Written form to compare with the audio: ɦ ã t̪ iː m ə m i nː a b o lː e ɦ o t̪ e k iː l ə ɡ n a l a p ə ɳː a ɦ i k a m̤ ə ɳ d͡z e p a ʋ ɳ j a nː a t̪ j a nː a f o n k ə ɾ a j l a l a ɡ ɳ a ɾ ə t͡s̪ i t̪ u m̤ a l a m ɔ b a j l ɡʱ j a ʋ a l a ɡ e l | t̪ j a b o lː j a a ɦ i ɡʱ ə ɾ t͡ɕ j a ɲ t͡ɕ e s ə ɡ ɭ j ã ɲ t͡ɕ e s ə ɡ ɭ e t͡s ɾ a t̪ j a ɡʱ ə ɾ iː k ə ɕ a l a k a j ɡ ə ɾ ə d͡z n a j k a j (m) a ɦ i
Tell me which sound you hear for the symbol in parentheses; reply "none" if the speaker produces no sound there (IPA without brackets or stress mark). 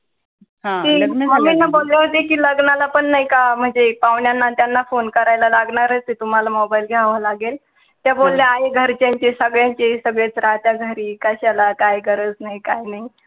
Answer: n